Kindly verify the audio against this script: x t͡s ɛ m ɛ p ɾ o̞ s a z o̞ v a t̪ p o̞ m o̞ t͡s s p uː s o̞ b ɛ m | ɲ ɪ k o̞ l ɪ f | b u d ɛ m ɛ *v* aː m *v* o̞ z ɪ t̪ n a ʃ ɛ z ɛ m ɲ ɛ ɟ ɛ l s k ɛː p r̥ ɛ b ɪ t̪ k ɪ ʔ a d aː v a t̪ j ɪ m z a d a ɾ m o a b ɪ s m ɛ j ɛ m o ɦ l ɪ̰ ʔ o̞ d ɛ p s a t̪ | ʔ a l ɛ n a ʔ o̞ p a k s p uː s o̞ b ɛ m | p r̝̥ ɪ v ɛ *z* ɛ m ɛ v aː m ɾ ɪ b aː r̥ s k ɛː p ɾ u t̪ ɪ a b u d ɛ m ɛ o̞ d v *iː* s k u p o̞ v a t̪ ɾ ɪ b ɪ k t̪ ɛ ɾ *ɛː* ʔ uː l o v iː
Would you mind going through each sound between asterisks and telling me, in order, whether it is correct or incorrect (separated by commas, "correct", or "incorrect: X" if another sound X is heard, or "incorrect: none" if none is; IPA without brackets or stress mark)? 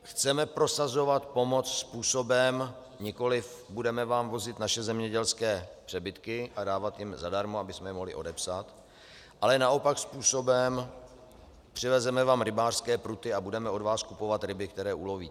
correct, correct, correct, incorrect: aː, correct